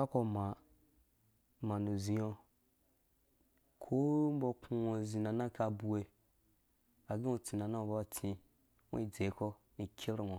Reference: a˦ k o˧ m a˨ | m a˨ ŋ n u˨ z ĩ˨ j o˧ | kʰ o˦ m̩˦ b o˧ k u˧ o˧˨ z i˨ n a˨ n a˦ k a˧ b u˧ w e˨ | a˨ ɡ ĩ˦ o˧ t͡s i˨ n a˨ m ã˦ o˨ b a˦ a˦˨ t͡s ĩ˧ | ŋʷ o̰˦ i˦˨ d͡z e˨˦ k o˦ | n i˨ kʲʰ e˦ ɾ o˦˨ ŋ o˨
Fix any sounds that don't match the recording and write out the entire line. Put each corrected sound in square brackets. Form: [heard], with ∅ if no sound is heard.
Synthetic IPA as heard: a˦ k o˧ m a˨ | m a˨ [∅] n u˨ z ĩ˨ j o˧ | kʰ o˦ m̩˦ b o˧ k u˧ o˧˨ z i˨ n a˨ n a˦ k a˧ b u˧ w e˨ | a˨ ɡ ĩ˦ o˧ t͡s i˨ n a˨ [n] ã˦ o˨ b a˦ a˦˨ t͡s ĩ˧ | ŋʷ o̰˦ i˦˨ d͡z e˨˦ k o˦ | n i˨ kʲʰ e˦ ɾ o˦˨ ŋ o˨